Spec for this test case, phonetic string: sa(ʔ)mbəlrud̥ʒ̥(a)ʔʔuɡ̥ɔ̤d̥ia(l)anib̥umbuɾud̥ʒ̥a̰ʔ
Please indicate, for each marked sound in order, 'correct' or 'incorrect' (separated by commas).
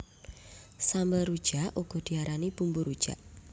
incorrect, correct, incorrect